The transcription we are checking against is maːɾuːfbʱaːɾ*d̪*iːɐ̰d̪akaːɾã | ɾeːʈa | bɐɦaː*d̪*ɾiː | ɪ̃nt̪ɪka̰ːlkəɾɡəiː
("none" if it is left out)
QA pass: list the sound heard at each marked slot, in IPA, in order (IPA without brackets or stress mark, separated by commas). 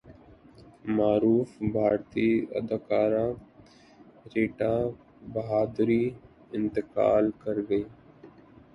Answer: t̪, d̪